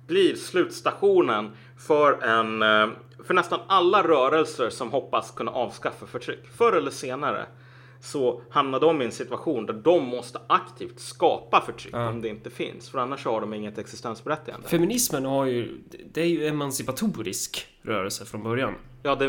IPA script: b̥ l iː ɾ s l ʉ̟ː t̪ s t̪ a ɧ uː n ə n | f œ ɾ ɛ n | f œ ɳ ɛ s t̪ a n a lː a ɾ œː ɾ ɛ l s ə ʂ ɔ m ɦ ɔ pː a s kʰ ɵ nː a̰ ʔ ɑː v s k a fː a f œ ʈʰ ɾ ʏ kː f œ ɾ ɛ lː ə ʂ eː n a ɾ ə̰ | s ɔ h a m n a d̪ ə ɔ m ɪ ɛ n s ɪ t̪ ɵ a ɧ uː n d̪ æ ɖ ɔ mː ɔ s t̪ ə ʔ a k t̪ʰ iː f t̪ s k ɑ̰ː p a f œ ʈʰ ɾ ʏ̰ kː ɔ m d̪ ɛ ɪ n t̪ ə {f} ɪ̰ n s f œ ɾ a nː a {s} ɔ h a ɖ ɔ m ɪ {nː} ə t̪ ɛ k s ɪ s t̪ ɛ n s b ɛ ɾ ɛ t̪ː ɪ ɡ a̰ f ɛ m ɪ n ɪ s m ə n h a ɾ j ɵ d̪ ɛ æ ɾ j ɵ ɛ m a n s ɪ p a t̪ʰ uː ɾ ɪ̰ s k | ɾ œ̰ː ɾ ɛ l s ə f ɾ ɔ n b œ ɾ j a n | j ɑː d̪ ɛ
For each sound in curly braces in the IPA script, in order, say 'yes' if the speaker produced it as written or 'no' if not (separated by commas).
yes, no, no